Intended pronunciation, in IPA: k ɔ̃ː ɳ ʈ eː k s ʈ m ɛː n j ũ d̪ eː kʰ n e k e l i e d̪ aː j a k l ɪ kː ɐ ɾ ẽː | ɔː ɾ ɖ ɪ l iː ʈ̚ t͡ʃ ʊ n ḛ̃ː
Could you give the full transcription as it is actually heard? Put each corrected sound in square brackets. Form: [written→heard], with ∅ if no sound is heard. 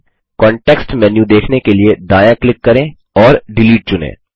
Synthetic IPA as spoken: k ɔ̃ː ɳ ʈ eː k s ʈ m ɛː n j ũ d̪ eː kʰ n e k e l i e d̪ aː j a k l ɪ kː ɐ ɾ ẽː | ɔː ɾ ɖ ɪ l iː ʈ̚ t͡ʃ ʊ n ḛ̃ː